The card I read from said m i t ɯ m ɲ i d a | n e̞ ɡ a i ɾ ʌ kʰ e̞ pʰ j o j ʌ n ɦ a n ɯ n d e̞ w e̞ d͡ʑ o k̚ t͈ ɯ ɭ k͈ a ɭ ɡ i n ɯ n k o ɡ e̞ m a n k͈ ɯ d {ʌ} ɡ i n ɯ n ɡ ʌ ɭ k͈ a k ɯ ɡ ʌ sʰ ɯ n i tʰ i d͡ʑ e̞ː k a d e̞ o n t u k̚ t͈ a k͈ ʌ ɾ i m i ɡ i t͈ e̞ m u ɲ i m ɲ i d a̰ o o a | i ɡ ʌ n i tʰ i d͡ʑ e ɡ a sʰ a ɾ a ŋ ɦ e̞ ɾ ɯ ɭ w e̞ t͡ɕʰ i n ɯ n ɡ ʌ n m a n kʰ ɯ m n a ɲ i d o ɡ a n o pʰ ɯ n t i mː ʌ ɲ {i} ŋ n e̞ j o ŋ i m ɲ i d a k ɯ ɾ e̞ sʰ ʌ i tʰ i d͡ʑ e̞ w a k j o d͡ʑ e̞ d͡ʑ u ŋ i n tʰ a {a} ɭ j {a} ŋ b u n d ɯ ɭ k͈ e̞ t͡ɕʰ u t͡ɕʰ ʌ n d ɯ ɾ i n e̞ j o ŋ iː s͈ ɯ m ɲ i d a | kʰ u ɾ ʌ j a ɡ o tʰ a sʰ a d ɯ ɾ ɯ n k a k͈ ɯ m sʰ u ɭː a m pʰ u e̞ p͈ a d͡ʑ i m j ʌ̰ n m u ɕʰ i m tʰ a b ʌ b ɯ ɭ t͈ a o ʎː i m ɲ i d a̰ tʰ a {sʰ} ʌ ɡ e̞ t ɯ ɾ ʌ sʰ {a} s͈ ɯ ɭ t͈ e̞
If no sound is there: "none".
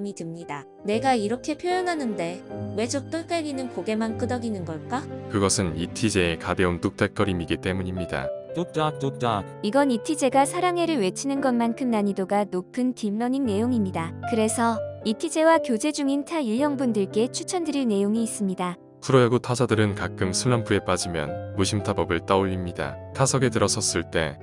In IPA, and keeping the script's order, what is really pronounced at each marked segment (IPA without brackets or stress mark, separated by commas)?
ʌ, i, i, ʌ, sʰ, ʌ